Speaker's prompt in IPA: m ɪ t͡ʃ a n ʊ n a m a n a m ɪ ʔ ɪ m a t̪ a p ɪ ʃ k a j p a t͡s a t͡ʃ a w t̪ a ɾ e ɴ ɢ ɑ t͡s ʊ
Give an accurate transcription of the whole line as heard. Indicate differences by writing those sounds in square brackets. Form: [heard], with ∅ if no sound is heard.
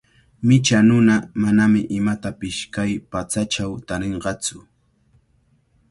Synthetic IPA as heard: m ɪ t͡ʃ a n ʊ n a m a n a m ɪ ʔ ɪ m a t̪ a p ɪ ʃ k a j p a t͡s a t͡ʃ a w t̪ a ɾ e ɴ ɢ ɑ t͡s ʊ